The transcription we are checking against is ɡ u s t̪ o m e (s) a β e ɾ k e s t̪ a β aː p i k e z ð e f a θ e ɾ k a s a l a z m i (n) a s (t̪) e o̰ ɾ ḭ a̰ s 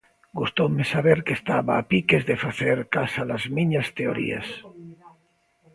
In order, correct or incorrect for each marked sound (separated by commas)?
correct, incorrect, correct